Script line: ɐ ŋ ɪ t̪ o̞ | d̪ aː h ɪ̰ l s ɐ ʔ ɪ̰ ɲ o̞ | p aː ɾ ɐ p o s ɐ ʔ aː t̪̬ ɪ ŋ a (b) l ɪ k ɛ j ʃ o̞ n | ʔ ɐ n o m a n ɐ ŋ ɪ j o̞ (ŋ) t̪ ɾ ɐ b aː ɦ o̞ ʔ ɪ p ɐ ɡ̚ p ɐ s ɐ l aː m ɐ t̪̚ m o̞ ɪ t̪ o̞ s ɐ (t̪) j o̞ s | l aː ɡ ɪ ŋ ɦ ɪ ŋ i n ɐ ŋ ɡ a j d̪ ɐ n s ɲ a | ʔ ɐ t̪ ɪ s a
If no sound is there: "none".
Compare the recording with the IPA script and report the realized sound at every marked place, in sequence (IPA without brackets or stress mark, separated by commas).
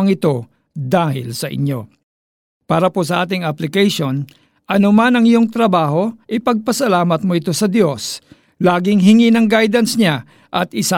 p, ŋ, d̪